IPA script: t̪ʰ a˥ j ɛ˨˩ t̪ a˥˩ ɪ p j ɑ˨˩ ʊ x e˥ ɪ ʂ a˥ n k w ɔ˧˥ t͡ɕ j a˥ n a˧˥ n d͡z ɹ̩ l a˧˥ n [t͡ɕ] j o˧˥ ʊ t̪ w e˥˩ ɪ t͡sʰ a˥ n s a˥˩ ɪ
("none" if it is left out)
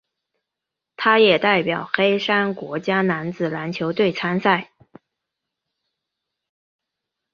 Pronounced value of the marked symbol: t͡ɕʰ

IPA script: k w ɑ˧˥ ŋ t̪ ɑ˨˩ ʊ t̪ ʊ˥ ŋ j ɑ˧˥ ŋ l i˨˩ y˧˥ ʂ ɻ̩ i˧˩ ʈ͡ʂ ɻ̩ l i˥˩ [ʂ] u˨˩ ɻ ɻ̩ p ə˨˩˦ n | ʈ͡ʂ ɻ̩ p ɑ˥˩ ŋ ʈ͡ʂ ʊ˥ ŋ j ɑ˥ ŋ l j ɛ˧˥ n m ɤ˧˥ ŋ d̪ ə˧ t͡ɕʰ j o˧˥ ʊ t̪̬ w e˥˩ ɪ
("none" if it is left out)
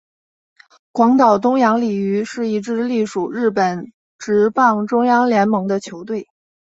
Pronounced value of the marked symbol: ʂ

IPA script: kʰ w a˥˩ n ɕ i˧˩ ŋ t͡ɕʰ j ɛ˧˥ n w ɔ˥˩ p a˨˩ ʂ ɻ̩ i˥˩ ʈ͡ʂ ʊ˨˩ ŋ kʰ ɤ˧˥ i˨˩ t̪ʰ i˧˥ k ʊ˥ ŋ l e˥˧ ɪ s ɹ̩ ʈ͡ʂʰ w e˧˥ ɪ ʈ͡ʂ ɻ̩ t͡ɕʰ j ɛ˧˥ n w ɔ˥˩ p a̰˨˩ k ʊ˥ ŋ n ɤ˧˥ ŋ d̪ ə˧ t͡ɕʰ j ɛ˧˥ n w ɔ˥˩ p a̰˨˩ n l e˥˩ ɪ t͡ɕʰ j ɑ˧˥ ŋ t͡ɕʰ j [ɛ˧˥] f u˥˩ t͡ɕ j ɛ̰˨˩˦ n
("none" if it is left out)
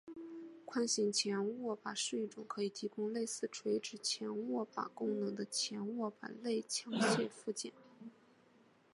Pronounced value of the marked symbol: ɛ˥˧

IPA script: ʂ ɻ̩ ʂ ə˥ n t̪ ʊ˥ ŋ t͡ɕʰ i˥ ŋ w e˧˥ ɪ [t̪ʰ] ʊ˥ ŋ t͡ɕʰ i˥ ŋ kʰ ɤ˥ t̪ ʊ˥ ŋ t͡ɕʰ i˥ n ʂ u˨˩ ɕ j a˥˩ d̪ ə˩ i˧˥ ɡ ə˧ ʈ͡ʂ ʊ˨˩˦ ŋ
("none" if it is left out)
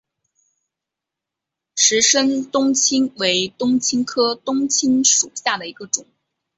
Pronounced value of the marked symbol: t̪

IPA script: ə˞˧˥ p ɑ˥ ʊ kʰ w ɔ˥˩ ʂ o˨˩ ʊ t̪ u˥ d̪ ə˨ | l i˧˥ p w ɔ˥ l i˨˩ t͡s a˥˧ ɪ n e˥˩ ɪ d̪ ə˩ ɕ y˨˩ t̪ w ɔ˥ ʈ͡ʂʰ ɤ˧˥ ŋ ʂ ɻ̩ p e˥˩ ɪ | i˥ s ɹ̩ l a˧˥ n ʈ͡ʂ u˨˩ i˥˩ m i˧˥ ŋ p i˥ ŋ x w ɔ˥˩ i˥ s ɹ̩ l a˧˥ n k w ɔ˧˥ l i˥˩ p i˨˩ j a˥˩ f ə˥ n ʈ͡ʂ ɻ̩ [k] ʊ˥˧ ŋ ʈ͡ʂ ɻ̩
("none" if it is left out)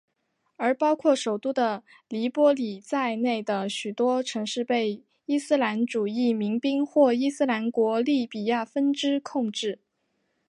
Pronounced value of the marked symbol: kʰ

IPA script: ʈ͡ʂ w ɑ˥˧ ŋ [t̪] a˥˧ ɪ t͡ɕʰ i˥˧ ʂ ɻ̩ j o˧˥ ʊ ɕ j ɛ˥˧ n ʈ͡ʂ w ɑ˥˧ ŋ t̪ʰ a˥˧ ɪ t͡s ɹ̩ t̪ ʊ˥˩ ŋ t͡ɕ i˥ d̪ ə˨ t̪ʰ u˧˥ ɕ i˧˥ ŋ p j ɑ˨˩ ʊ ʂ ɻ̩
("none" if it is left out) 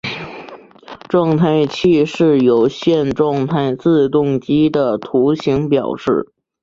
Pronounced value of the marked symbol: t̪ʰ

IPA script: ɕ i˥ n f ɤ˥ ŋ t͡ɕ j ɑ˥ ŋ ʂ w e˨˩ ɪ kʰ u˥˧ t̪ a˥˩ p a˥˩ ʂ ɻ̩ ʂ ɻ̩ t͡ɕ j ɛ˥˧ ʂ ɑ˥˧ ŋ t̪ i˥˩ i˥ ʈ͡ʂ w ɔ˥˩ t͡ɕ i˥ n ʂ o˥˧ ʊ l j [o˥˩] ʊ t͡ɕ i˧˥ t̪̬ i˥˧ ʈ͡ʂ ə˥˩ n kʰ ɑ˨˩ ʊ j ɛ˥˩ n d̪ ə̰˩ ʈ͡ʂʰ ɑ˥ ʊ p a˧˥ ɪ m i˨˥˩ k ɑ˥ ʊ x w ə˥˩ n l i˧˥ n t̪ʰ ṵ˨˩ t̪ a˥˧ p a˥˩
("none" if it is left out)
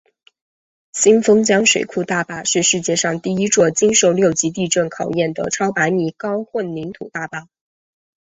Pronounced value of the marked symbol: o˥˩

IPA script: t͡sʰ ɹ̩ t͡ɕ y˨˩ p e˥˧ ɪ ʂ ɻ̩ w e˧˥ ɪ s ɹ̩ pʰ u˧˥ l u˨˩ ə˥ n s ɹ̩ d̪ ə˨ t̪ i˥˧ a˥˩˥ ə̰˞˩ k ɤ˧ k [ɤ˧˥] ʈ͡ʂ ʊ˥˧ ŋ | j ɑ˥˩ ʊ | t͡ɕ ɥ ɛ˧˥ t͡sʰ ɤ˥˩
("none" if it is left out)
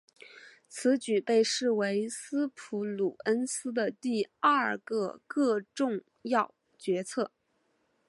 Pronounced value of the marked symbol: ɤ˥˧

